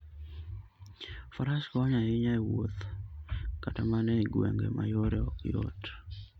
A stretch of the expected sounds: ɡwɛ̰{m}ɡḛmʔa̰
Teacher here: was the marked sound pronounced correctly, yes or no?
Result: no